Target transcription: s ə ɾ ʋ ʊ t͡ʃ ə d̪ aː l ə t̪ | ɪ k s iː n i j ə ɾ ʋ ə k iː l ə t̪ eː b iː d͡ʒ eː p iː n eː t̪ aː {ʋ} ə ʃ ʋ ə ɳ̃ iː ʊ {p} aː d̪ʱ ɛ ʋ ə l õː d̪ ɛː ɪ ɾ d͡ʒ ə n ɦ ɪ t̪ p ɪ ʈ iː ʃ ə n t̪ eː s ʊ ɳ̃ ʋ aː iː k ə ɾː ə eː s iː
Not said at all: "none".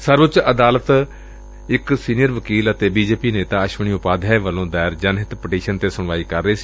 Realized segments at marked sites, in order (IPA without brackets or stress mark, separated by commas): none, p